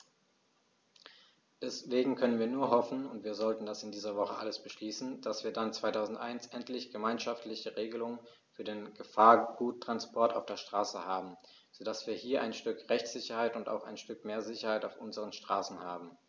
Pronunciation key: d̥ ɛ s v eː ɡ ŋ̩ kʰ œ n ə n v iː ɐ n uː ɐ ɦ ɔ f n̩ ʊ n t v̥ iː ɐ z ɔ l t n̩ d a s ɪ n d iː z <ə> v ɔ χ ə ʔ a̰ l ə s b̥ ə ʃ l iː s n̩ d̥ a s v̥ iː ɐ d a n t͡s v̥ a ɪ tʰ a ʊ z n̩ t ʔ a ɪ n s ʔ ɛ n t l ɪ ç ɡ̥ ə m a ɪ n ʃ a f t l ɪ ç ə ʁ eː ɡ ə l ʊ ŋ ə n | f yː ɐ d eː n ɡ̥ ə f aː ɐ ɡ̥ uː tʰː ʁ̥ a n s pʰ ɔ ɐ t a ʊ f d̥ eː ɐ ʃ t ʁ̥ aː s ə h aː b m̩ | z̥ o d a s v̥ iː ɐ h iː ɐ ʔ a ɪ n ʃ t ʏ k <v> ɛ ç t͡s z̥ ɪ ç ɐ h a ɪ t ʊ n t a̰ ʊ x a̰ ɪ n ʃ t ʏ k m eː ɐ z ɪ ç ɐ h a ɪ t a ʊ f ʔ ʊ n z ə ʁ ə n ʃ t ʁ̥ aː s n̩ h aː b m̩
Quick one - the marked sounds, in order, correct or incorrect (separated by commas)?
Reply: incorrect, incorrect